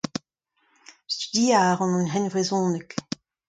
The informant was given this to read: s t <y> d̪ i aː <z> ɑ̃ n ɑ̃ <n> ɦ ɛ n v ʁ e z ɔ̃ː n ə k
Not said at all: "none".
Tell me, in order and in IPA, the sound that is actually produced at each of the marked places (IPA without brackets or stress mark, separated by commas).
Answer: y, ʁ, n